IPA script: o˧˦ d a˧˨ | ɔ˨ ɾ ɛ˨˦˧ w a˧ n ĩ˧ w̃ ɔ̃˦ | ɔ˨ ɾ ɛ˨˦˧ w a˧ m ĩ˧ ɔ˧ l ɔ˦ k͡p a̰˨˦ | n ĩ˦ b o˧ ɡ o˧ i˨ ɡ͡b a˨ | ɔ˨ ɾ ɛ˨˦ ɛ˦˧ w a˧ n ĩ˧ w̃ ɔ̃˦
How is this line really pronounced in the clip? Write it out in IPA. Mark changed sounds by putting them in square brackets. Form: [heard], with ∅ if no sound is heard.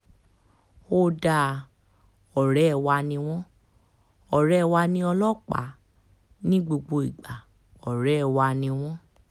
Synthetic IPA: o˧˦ d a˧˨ | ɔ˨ ɾ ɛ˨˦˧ w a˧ n ĩ˧ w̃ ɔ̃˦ | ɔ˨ ɾ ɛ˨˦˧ w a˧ [n] ĩ˧ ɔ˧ l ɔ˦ k͡p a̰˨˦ | n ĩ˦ [ɡ͡b] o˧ [ɡ͡b] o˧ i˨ ɡ͡b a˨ | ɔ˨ ɾ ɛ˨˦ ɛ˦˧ w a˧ n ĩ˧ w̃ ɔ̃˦